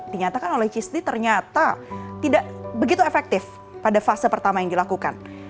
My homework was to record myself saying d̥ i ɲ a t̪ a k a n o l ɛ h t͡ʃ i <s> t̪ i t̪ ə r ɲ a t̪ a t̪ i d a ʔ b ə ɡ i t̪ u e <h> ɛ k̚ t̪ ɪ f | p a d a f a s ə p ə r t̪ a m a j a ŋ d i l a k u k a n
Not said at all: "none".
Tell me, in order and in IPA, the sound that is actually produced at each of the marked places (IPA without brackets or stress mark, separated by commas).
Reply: s, f